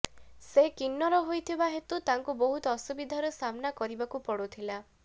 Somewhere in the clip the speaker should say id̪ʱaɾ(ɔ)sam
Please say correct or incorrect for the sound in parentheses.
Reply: correct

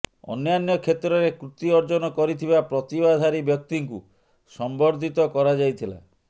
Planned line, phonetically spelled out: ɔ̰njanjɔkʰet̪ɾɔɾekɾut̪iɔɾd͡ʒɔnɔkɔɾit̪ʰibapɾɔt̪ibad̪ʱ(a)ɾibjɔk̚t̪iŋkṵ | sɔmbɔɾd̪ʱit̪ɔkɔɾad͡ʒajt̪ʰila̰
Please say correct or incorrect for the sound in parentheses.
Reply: correct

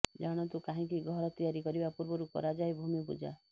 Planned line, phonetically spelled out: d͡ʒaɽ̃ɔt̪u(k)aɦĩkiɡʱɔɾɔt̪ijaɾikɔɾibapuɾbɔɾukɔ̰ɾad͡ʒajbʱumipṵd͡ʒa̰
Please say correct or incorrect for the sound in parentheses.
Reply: correct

